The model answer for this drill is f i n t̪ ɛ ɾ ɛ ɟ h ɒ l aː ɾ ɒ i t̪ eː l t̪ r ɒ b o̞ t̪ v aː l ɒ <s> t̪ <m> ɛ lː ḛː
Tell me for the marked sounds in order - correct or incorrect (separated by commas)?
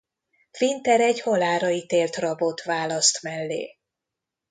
correct, correct